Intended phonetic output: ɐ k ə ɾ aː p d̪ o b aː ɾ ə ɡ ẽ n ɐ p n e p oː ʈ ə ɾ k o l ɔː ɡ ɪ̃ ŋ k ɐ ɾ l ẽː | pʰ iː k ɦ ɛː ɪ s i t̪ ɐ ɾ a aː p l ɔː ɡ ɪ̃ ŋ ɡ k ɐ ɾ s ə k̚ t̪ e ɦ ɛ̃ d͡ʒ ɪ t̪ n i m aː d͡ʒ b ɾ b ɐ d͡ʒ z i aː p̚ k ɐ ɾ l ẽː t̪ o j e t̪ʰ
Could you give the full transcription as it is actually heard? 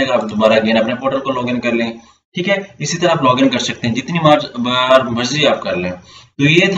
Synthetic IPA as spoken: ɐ ɡ ə ɾ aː p d̪ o b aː ɾ a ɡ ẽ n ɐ p n e p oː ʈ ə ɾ k o l ɔː ɡ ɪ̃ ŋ k ɐ ɾ l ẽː | ʈʰ iː k ɦ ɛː ɪ s i t̪ ɐ ɾ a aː p l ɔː ɡ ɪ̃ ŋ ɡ k ɐ ɾ s ɐ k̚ t̪ e ɦ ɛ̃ d͡ʒ ɪ t̪ n i m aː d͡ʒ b ɾ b ɐ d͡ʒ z i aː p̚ k ɐ ɾ l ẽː t̪ o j e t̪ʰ